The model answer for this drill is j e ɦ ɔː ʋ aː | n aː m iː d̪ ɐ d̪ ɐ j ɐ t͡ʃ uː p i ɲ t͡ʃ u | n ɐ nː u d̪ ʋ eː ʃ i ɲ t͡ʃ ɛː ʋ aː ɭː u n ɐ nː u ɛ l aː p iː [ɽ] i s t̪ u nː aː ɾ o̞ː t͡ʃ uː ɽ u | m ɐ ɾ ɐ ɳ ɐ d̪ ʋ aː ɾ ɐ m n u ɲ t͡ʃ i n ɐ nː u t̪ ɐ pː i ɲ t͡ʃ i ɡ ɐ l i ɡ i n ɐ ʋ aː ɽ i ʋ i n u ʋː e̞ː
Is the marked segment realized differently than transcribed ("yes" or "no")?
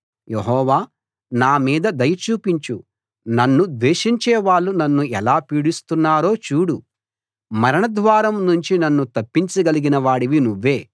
no